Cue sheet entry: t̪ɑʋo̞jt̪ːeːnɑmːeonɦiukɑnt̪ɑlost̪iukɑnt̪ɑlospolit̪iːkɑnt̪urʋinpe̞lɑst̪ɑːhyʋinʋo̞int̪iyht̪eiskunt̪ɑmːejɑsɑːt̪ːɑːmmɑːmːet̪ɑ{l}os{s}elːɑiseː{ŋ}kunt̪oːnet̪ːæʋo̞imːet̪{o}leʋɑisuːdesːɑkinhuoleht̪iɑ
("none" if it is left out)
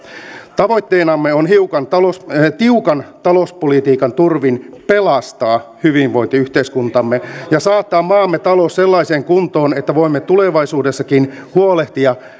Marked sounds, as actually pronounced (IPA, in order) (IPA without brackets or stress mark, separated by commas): l, s, ŋ, u